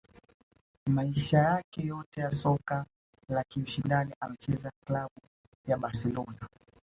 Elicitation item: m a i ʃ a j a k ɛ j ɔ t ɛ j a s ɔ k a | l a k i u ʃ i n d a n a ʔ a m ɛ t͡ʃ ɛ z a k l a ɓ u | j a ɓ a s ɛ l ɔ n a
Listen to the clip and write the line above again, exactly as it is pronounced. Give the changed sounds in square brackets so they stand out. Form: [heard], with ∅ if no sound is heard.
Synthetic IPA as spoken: m a i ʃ a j a k ɛ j ɔ t ɛ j a s ɔ k a | l a k i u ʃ i n d a n [i] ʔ a m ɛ t͡ʃ ɛ z a k l a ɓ u | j a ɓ a s ɛ l ɔ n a